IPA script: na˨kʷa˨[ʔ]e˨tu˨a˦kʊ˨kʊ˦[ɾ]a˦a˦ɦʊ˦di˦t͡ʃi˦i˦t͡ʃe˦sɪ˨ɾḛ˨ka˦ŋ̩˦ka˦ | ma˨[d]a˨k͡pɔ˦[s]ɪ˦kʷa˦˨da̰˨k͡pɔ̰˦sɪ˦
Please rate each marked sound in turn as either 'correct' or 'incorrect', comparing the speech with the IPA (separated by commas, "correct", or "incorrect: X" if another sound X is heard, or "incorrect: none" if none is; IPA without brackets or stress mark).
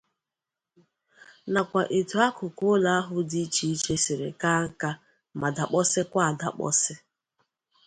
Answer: correct, incorrect: l, correct, correct